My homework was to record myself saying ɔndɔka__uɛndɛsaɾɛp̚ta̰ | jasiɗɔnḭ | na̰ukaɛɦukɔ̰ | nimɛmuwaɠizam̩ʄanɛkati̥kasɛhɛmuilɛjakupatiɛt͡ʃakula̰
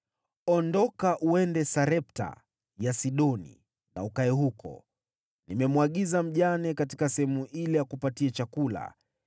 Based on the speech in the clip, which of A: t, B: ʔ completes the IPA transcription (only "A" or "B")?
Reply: B